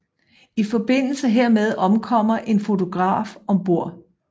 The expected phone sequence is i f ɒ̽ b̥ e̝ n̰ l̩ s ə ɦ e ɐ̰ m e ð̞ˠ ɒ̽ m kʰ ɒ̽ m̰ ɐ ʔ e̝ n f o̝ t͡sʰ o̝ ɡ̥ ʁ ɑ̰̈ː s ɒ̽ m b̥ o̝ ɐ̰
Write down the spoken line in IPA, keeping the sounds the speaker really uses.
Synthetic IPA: i f ɒ̽ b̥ e̝ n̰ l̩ s ə ɦ e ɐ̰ m e ð̞ˠ ɒ̽ m kʰ ɒ̽ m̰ ɐ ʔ e̝ n f o̝ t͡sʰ o̝ ɡ̥ ʁ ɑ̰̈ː f ɒ̽ m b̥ o̝ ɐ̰